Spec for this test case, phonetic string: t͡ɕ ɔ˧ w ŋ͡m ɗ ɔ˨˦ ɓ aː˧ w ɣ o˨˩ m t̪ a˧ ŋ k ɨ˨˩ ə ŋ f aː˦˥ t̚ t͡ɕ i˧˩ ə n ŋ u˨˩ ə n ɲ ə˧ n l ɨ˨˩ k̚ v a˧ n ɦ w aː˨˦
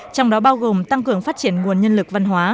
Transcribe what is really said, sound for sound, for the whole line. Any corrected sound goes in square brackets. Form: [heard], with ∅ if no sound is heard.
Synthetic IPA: t͡ɕ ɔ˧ w ŋ͡m ɗ ɔ˨˦ ɓ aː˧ w ɣ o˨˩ m t̪ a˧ ŋ k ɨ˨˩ ə ŋ f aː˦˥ t̚ t͡ɕ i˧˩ ə n ŋ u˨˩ ə n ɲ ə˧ n l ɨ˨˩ k̚ v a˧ n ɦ w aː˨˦